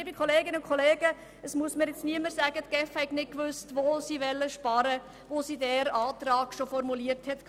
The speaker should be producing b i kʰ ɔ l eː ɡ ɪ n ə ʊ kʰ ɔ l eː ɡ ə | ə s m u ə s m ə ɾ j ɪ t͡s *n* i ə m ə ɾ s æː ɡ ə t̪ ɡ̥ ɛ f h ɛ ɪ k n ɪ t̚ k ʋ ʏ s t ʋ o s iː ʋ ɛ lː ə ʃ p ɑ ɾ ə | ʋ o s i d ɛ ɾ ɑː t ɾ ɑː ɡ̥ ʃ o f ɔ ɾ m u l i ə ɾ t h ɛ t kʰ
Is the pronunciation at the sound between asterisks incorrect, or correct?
correct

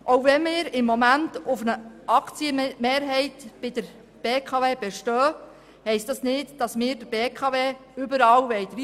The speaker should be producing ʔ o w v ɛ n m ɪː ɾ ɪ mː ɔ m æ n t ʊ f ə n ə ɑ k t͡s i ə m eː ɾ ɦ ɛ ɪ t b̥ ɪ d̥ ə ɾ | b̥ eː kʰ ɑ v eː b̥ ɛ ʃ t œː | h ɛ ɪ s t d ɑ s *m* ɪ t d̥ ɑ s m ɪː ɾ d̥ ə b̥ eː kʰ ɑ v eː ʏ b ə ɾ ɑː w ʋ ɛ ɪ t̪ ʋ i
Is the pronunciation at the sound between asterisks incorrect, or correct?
incorrect: n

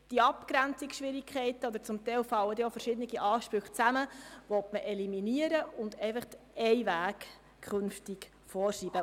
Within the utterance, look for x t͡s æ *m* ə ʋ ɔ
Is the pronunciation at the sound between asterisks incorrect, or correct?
correct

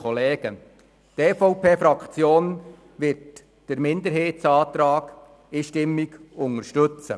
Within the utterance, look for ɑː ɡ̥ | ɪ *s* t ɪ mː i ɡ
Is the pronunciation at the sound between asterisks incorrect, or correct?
incorrect: ʃ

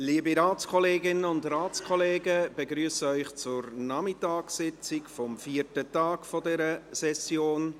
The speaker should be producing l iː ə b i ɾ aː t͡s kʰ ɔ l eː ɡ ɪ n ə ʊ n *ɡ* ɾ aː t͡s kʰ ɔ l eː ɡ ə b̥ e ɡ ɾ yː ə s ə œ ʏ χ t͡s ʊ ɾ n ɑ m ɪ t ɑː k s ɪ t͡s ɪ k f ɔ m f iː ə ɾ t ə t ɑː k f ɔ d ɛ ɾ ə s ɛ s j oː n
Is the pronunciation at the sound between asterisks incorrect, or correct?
incorrect: d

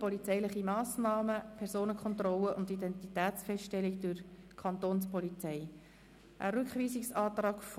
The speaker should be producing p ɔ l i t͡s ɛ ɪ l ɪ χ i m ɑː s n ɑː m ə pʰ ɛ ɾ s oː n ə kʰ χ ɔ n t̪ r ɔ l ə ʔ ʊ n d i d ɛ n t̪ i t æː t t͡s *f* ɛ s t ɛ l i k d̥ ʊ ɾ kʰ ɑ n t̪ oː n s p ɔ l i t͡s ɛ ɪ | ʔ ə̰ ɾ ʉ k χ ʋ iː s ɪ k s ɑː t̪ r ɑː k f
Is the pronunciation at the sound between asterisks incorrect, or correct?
correct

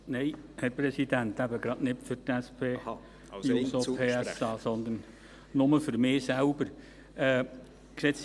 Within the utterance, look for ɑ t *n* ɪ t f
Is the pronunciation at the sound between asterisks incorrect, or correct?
correct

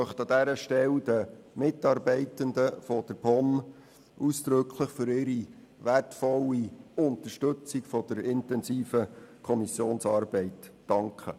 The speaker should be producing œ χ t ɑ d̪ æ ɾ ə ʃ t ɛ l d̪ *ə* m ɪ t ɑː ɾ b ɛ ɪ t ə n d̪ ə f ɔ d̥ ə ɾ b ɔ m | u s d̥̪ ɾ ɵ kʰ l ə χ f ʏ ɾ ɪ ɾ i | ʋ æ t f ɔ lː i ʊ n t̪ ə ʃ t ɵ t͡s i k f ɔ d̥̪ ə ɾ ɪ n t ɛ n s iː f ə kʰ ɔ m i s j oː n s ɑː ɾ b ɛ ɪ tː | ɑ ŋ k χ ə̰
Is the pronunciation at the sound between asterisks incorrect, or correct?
correct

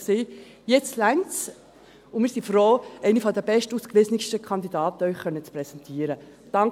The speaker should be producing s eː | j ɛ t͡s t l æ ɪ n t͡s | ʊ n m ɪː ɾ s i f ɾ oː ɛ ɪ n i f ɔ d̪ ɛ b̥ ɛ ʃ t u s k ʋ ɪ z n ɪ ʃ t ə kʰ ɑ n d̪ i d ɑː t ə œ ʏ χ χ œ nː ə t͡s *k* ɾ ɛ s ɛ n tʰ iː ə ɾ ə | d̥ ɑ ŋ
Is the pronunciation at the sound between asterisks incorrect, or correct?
incorrect: p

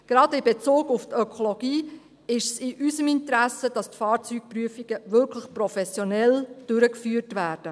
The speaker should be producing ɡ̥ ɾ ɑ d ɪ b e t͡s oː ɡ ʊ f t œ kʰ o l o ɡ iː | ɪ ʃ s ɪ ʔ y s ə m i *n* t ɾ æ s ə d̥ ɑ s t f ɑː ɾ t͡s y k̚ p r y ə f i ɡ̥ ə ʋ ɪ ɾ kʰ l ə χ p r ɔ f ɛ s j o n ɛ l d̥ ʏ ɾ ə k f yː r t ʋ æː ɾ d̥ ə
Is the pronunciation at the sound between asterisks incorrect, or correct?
correct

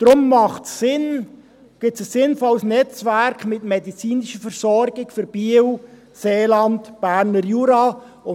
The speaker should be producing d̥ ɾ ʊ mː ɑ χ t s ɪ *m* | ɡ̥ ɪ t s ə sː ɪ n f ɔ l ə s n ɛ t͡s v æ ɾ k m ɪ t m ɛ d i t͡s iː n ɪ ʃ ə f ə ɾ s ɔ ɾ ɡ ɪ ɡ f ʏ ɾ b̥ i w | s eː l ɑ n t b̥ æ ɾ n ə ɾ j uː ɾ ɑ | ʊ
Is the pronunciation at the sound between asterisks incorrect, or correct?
incorrect: n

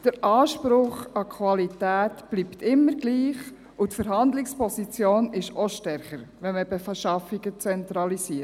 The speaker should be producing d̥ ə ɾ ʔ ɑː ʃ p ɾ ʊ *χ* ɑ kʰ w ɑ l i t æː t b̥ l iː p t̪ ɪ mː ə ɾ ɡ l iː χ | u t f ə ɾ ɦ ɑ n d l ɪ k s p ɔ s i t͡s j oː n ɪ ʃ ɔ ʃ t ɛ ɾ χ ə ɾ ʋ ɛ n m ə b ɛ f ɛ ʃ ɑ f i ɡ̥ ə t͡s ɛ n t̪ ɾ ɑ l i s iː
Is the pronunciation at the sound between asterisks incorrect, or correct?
correct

